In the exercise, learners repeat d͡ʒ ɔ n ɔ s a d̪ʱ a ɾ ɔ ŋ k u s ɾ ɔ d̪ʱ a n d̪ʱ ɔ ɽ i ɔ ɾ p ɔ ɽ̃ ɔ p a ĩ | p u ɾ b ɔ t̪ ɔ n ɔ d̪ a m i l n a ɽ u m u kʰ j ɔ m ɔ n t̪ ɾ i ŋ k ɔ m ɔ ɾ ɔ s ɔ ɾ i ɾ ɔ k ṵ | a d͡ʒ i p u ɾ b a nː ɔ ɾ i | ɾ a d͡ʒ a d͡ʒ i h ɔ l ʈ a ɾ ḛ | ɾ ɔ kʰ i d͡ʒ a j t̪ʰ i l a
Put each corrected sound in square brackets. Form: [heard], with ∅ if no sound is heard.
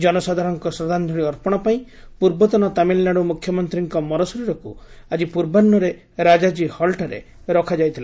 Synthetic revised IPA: d͡ʒ ɔ n ɔ s a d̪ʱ a ɾ ɔ ŋ k [ɔ] s ɾ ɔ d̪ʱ a n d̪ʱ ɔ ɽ i ɔ ɾ p ɔ ɽ̃ ɔ p a ĩ | p u ɾ b ɔ t̪ ɔ n ɔ [t̪] a m i l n a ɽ u m u kʰ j ɔ m ɔ n t̪ ɾ i ŋ k ɔ m ɔ ɾ ɔ s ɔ ɾ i ɾ ɔ k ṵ | a d͡ʒ i p u ɾ b a nː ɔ ɾ [e] | ɾ a d͡ʒ a d͡ʒ i h ɔ l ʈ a ɾ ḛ | ɾ ɔ kʰ [a] d͡ʒ a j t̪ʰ i l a